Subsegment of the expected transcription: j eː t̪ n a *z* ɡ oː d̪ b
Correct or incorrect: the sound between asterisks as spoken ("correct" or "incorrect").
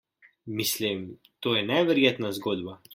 correct